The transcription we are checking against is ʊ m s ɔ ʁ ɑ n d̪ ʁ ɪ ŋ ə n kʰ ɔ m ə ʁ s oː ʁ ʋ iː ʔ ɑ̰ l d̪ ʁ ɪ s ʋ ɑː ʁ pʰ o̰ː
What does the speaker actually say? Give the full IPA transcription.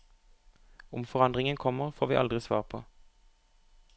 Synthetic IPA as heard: ʊ m f ɔ ʁ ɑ n d̪ ʁ ɪ ŋ ə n kʰ ɔ m ə ʁ f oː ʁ ʋ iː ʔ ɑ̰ l d̪ ʁ ɪ s ʋ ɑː ʁ pʰ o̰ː